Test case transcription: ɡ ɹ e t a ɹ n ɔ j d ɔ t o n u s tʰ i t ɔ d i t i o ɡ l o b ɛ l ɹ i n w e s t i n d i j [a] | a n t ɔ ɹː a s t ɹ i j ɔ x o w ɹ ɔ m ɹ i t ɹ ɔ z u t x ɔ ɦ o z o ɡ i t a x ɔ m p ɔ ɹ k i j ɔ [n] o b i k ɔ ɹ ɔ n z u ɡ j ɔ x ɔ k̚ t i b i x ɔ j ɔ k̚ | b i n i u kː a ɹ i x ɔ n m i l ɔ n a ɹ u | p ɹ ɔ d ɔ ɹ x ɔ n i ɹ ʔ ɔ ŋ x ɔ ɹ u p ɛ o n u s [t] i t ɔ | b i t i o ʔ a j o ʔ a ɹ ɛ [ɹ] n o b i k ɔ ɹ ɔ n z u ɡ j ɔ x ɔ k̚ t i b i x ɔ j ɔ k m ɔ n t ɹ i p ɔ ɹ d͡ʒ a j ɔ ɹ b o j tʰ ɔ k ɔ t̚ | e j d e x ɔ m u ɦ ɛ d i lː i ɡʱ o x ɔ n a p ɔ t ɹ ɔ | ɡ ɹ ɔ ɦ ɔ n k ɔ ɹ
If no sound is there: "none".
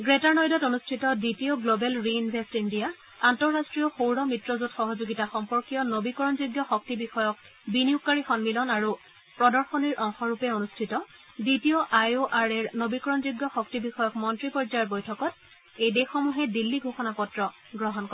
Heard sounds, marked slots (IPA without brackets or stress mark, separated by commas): a, n, tʰ, ɹ